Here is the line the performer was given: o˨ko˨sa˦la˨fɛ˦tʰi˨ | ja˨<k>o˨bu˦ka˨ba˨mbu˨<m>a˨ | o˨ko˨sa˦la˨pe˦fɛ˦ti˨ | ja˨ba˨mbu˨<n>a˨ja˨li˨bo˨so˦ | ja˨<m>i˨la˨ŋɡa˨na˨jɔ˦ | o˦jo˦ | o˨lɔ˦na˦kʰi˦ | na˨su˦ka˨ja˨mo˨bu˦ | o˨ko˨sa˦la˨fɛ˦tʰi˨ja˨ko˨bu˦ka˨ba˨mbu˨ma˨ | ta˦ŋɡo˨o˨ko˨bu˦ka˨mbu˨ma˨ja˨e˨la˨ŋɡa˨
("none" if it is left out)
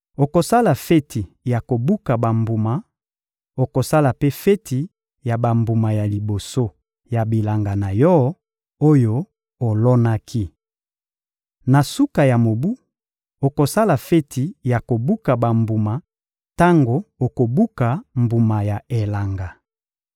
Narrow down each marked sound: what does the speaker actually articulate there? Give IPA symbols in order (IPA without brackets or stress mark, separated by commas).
k, m, m, b